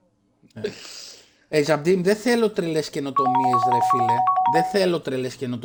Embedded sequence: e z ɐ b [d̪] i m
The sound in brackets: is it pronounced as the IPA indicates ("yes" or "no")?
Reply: yes